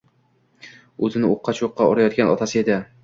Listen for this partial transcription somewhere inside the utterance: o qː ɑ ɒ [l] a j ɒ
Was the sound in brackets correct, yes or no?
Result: no